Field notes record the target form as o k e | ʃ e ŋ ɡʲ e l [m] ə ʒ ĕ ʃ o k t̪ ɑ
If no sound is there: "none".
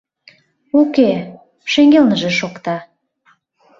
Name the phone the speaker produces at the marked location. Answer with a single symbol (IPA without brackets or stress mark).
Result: n